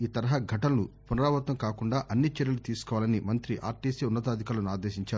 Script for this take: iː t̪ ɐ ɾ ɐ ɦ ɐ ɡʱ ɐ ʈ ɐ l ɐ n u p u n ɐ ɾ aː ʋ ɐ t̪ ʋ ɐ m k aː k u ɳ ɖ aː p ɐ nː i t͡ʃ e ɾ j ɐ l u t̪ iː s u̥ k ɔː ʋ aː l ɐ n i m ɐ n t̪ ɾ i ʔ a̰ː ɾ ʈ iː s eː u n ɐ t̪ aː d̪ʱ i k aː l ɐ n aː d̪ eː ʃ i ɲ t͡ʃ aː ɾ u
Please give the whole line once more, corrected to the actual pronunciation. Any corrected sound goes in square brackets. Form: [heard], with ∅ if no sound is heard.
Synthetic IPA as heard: iː t̪ ɐ ɾ ɐ ɦ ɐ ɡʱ ɐ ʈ ɐ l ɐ n u p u n ɐ ɾ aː ʋ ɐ t̪ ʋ ɐ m k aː k u ɳ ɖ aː [ʔ] ɐ nː i t͡ʃ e ɾ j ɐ l u t̪ iː s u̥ k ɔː ʋ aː l ɐ n i m ɐ n t̪ ɾ i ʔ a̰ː ɾ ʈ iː s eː u [nː] ɐ t̪ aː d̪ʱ i k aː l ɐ n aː d̪ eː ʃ i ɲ t͡ʃ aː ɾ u